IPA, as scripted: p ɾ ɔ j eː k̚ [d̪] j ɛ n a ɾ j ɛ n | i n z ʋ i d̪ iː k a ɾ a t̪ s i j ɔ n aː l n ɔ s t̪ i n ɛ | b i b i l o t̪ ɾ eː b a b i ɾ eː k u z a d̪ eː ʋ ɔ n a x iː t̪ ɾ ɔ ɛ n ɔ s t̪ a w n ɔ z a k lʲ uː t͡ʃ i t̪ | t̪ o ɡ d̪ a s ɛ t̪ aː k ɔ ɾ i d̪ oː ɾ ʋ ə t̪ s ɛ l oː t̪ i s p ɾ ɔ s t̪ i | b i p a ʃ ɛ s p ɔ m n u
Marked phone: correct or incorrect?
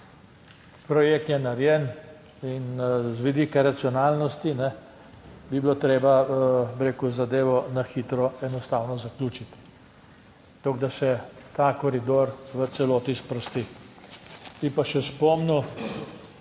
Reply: incorrect